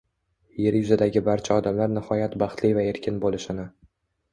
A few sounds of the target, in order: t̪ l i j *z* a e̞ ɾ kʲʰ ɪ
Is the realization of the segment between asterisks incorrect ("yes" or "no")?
yes